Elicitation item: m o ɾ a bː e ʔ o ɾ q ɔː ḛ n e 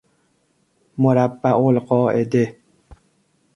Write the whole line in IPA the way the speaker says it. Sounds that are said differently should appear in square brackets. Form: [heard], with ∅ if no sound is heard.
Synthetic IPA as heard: m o ɾ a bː [a] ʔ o [l] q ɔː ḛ [d] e